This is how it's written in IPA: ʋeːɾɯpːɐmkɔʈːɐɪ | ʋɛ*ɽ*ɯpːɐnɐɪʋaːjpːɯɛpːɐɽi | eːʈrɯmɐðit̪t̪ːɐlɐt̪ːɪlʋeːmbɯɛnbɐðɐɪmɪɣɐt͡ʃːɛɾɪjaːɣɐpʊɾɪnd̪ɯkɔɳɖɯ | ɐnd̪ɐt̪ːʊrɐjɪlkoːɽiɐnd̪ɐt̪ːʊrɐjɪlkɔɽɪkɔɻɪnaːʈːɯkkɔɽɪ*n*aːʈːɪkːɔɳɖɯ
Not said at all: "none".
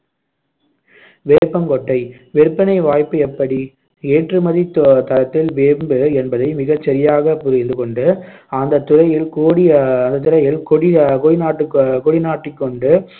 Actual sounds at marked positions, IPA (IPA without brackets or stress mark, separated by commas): ɾ, n